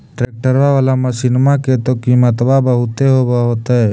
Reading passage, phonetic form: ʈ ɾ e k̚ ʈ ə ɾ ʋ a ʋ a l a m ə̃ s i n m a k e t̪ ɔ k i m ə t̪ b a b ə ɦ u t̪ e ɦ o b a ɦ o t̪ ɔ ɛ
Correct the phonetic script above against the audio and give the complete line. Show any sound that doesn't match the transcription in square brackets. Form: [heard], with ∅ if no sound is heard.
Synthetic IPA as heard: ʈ ɾ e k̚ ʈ ə ɾ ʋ a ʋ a l a m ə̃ s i n m a k e t̪ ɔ k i m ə t̪ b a b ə ɦ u t̪ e ɦ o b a ɦ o t̪ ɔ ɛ